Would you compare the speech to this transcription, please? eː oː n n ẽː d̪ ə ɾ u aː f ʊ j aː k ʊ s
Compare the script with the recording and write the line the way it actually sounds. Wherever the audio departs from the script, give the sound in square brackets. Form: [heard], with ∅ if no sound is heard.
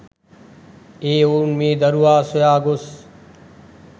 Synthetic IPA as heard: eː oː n [m] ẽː d̪ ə ɾ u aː [s] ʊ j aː [ɡ] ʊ s